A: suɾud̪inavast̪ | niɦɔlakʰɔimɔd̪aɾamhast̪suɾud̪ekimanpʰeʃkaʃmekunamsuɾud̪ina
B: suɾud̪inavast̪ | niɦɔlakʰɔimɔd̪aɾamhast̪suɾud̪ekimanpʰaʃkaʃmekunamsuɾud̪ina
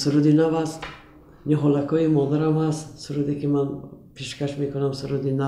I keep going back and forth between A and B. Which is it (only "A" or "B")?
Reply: A